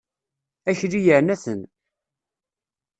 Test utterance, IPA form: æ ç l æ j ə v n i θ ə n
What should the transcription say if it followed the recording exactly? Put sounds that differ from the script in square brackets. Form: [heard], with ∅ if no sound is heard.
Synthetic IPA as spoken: æ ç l [i] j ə [ʕ] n [æ] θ ə n